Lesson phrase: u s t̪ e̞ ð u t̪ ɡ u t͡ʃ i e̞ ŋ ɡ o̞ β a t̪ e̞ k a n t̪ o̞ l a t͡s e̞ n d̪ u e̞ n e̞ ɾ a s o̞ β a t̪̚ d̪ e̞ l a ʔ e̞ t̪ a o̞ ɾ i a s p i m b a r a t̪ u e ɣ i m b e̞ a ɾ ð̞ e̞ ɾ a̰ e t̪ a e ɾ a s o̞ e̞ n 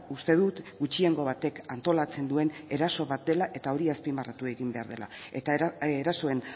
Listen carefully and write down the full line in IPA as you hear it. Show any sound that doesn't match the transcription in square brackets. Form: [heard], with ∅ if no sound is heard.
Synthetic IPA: u s t̪ e̞ ð u t̪ ɡ u t͡ʃ i e̞ ŋ ɡ o̞ β a t̪ e̞ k a n t̪ o̞ l a t͡s e̞ n d̪ u e̞ n e̞ ɾ a s o̞ β a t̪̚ d̪ e̞ l a ʔ e̞ t̪ a o̞ ɾ i a s p i m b a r a t̪ u e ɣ i m b e̞ a ɾ ð̞ e̞ [l] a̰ e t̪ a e ɾ a s o̞ e̞ n